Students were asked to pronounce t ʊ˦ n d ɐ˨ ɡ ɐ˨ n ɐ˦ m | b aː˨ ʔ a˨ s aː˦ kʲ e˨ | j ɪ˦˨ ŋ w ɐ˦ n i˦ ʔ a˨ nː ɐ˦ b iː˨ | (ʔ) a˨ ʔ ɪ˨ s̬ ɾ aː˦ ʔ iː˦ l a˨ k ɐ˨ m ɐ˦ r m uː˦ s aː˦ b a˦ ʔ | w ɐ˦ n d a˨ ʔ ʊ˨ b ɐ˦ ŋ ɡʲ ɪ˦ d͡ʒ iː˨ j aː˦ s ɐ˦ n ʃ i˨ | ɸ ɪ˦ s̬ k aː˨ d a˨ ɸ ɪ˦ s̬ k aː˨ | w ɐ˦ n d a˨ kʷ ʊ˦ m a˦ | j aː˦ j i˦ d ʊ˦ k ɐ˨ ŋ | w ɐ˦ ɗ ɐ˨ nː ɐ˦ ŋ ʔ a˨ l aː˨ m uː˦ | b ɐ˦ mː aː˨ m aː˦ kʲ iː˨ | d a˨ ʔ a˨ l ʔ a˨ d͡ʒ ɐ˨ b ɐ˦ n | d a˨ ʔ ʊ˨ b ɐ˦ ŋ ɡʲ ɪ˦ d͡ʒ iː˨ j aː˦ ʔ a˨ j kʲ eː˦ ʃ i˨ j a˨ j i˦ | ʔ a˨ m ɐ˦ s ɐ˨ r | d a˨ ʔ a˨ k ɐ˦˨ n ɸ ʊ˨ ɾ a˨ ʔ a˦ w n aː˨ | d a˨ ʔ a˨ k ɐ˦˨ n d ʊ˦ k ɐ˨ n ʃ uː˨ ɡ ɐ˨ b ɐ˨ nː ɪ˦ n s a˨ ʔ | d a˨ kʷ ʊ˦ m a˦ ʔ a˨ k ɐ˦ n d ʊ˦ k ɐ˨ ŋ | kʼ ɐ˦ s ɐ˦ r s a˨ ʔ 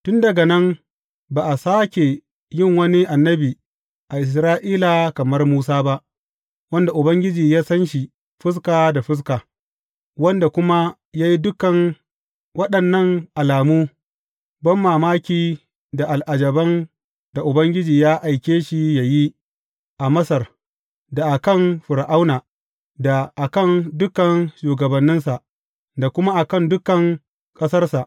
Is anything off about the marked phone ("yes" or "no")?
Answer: no